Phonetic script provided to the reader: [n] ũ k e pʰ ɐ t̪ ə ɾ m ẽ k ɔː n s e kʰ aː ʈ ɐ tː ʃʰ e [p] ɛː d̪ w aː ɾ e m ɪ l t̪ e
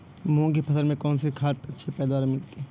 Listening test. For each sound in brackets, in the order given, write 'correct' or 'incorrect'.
incorrect, correct

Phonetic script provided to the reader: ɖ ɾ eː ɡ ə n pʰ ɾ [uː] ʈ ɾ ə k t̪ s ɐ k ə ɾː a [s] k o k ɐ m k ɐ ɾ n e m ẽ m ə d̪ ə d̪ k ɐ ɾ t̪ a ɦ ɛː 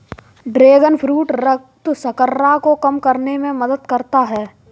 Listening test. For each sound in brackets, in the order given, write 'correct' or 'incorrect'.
correct, incorrect

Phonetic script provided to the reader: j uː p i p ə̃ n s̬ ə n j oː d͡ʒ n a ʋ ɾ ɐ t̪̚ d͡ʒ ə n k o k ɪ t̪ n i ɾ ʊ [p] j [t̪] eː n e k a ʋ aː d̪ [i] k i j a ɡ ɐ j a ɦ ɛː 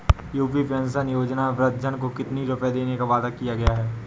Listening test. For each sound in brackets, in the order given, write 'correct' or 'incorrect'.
correct, incorrect, incorrect

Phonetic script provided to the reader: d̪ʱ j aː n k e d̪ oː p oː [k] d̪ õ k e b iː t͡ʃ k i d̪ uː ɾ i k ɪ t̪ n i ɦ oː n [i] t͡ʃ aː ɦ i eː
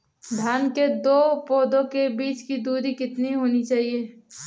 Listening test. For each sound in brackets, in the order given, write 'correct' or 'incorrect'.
incorrect, correct

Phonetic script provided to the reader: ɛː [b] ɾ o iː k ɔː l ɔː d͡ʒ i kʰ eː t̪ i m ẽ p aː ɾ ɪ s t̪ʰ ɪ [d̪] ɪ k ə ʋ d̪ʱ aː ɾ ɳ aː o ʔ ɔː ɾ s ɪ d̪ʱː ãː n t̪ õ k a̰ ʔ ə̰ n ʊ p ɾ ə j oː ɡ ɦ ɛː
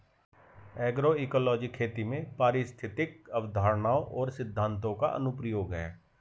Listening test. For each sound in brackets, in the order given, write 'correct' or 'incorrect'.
incorrect, incorrect

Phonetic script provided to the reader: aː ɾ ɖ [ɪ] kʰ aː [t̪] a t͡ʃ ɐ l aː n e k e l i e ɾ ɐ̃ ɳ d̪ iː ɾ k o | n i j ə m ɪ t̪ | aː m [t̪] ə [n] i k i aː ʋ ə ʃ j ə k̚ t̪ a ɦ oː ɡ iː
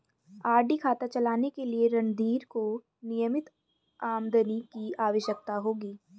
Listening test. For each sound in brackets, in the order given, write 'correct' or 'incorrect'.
incorrect, correct, incorrect, correct

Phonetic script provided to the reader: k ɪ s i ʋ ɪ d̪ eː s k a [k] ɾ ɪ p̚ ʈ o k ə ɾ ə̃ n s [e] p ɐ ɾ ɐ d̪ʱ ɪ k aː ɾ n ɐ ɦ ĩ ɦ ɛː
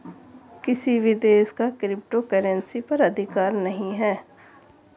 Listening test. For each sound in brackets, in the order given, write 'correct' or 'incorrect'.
correct, incorrect

